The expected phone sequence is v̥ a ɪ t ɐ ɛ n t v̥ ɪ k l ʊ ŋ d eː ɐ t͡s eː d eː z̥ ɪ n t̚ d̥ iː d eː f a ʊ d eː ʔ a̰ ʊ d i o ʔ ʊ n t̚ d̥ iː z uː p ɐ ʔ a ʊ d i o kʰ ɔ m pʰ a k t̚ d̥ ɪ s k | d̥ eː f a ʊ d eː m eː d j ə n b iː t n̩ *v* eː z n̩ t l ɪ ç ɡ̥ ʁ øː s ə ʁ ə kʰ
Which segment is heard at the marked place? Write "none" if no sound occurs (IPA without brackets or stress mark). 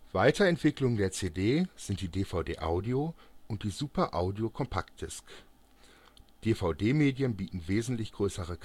v